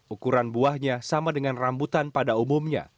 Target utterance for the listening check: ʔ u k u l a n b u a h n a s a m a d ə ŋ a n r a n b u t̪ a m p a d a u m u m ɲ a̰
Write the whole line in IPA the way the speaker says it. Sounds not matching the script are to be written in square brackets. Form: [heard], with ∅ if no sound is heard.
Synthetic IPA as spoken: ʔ u k u [ɾ] a n b u a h [ɲ] a s a m a d ə ŋ a n r a [m] b u t̪ a [n] p a d a u m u m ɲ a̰

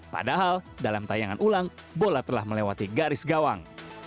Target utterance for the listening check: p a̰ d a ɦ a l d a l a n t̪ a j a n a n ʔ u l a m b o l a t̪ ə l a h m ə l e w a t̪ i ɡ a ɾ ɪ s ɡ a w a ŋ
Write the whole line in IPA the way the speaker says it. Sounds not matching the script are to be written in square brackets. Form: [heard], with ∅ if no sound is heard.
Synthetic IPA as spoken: p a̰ d a ɦ a l d a l a [m] t̪ a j a [ŋ] a n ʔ u l a [ŋ] b o l a t̪ ə l a h m ə l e w a t̪ i ɡ a ɾ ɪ s ɡ a w a ŋ

